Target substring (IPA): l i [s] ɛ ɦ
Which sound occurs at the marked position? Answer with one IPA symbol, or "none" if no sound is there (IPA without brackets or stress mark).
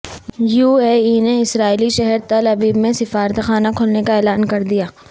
ʃ